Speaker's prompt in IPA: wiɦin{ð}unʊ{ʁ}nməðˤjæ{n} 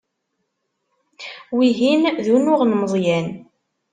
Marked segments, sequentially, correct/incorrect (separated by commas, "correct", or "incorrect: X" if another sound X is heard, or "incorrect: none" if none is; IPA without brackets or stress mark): correct, correct, correct